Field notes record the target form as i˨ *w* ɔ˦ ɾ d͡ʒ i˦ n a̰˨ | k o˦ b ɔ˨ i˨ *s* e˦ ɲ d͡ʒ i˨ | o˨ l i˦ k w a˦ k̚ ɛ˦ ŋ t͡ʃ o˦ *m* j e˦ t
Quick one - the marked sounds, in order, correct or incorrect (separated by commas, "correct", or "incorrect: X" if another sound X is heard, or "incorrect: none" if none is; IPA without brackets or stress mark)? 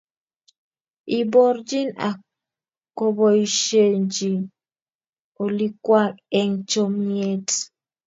incorrect: b, incorrect: ʃ, correct